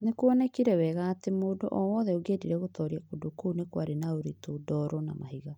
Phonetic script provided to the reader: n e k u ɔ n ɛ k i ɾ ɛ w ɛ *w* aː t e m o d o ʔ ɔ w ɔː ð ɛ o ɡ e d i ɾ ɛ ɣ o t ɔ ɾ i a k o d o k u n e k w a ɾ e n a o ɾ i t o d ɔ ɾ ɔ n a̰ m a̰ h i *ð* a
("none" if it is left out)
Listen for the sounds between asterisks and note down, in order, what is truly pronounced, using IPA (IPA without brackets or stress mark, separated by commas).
ɣ, ɣ